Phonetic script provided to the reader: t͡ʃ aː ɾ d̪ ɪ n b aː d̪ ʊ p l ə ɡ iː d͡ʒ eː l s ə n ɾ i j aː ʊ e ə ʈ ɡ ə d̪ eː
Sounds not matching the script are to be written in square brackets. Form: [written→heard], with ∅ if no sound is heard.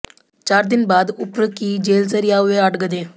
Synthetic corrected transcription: t͡ʃ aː ɾ d̪ ɪ n b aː d̪ ʊ p [l→ɾ] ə [ɡ→k] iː d͡ʒ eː l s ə [n→∅] ɾ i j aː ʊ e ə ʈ ɡ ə d̪ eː